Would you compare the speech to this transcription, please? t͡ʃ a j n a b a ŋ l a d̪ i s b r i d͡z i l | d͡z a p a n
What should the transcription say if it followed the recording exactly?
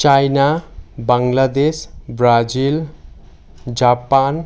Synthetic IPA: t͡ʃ a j n a b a ŋ l a d̪ e s b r a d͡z i l | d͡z a p a n